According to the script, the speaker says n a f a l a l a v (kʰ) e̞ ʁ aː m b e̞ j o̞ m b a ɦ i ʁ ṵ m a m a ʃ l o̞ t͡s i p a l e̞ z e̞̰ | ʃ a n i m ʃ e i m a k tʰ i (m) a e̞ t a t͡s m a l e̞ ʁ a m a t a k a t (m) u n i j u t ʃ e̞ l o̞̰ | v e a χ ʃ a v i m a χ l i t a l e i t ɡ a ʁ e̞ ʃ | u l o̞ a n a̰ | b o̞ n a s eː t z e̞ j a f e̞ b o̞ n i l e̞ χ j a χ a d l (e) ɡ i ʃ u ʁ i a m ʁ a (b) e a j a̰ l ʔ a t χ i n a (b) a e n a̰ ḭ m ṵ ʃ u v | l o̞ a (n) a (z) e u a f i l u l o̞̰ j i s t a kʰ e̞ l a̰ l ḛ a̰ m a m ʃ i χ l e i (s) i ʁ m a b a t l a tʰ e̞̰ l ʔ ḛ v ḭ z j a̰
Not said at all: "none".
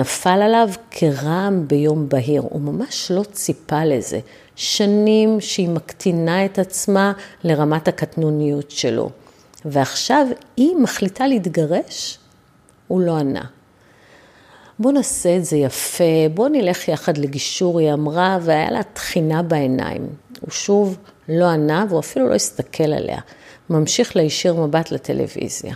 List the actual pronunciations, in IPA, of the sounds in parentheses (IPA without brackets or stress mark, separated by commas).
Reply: kʰ, n, n, e, v, b, n, v, ʃ